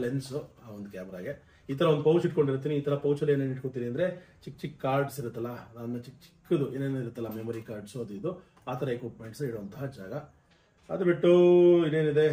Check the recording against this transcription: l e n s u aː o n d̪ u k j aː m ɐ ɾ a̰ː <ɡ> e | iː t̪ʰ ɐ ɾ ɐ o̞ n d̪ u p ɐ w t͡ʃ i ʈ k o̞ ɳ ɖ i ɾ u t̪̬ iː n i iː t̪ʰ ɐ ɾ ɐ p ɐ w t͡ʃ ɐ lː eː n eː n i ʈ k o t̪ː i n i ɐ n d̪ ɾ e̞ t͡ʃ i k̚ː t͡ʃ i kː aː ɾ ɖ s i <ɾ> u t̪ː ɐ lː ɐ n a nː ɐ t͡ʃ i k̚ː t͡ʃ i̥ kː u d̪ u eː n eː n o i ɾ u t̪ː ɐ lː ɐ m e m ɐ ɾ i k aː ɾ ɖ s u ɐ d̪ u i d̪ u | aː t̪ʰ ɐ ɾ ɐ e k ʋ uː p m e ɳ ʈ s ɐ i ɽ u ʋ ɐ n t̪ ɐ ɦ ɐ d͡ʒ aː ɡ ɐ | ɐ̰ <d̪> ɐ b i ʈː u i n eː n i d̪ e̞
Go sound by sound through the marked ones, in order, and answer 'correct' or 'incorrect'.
correct, correct, correct

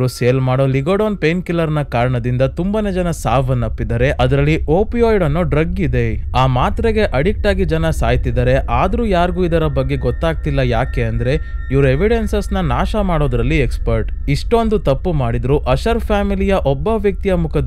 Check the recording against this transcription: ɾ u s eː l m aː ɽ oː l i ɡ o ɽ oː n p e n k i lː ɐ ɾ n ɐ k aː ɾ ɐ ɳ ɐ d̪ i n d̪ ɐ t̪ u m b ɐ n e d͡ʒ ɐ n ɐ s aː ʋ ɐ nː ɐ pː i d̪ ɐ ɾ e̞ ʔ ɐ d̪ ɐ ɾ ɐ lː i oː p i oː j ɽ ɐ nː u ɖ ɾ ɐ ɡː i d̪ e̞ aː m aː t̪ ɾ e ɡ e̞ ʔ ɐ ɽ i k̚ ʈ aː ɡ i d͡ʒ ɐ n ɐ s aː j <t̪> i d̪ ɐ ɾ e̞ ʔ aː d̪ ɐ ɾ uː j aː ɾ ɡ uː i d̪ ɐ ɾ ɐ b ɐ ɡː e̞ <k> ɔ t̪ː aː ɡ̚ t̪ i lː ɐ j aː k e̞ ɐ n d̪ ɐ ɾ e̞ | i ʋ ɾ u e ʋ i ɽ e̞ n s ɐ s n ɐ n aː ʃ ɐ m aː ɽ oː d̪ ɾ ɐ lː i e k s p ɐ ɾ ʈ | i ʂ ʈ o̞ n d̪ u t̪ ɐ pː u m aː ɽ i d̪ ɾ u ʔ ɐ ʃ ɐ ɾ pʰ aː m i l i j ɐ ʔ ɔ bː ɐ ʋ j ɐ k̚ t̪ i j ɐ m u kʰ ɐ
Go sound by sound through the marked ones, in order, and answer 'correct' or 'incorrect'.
correct, incorrect: ɡ

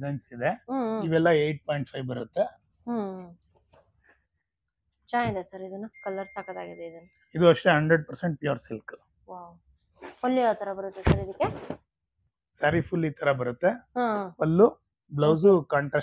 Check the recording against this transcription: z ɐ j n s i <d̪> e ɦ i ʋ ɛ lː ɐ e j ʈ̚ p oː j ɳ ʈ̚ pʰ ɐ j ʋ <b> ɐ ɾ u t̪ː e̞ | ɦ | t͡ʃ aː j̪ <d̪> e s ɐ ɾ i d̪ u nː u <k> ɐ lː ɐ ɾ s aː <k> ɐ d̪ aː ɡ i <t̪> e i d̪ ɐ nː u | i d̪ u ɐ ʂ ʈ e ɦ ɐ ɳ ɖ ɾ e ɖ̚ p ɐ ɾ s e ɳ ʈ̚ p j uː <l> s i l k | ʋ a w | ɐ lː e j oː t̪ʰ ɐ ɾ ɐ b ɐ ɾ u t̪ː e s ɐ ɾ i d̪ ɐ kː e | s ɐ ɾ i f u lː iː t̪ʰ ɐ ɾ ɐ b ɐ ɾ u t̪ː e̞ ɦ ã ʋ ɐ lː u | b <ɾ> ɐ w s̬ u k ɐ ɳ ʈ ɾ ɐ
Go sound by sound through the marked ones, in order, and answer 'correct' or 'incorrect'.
correct, correct, correct, correct, correct, incorrect: d̪, incorrect: ɾ, incorrect: l

